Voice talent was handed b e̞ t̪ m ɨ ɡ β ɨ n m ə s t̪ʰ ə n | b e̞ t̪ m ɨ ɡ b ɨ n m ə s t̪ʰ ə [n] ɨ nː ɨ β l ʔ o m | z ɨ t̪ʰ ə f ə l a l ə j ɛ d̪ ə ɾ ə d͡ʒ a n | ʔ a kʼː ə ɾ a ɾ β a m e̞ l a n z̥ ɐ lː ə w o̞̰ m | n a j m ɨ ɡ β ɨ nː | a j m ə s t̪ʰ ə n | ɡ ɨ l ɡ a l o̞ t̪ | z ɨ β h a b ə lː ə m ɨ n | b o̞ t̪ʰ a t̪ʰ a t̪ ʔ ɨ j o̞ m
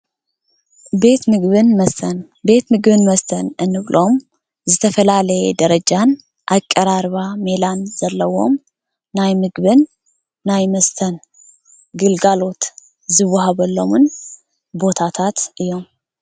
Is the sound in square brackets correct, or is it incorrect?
correct